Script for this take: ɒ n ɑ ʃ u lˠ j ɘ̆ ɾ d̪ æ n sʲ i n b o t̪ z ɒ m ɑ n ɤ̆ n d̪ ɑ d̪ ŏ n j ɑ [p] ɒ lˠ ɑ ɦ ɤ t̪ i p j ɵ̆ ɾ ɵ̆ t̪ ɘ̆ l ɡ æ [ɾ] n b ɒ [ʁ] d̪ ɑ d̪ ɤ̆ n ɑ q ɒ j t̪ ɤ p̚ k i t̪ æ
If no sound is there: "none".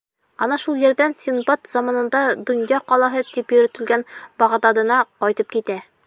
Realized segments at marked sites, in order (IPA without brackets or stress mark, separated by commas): q, none, ʁ